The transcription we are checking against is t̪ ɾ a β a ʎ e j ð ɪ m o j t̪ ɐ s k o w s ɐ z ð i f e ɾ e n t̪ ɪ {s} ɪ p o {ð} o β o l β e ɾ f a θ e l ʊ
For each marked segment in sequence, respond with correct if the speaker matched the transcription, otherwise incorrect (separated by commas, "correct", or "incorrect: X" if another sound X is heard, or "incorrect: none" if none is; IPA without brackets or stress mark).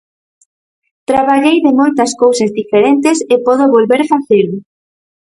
correct, correct